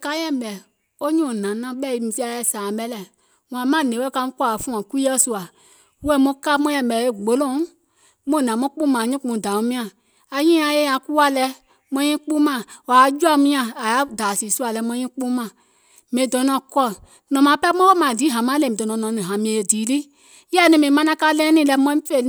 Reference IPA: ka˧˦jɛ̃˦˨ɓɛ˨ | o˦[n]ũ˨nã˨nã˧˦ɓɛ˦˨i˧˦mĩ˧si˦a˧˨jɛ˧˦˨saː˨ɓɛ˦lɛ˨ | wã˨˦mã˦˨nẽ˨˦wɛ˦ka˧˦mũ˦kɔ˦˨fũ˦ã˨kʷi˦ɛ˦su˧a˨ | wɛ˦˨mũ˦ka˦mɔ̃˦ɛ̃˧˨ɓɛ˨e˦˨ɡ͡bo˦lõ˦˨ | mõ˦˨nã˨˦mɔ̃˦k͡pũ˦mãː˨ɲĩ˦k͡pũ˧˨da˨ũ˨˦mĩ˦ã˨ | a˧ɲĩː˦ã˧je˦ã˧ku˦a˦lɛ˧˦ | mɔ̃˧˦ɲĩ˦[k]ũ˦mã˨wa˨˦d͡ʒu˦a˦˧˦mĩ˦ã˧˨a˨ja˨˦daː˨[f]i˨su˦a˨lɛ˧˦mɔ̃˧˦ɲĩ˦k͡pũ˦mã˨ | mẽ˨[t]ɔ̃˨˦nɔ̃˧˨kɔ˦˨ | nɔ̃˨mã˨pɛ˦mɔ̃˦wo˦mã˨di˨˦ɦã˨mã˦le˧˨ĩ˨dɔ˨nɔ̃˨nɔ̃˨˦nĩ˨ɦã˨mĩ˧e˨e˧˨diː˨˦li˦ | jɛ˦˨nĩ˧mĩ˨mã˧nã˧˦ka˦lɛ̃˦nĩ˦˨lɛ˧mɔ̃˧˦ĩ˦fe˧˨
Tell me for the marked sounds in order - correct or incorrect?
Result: incorrect: ɲ, incorrect: k͡p, incorrect: s, incorrect: d

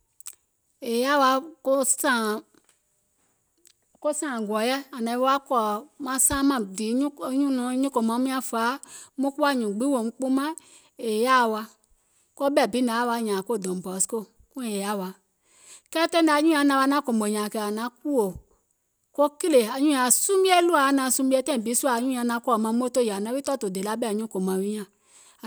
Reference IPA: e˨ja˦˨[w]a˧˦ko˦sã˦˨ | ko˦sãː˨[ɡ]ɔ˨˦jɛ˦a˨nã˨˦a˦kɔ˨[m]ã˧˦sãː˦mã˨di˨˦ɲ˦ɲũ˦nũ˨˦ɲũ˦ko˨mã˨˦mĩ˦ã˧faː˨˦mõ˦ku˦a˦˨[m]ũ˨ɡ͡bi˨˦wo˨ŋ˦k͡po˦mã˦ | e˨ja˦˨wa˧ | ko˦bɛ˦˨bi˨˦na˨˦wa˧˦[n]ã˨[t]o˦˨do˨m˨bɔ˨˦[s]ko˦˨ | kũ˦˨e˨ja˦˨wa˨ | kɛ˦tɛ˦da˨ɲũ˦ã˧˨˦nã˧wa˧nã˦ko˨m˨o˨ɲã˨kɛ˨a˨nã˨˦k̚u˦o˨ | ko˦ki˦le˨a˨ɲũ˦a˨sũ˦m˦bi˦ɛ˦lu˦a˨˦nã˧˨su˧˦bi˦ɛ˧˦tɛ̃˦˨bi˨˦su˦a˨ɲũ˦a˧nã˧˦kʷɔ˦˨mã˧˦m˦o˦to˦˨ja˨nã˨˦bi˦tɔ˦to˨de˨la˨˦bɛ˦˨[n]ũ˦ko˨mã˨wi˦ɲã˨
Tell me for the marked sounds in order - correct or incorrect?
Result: correct, correct, correct, incorrect: ɲ, incorrect: ɲ, incorrect: k, correct, incorrect: ɲ

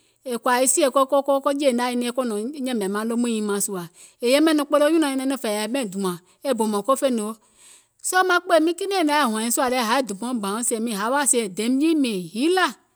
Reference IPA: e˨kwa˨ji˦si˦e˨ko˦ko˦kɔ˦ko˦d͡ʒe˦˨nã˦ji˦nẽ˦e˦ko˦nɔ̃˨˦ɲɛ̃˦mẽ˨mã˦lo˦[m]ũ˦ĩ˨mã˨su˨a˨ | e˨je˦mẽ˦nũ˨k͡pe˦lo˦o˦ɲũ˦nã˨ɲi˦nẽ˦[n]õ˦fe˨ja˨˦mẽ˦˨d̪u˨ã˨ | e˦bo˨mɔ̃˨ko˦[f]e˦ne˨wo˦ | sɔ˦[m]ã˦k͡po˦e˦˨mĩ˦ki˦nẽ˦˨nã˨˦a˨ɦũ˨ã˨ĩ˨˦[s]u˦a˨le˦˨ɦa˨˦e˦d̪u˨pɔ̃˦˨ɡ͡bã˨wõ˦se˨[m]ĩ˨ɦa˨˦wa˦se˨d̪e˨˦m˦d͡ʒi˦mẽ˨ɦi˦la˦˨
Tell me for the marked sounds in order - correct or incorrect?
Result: correct, correct, correct, correct, correct, correct

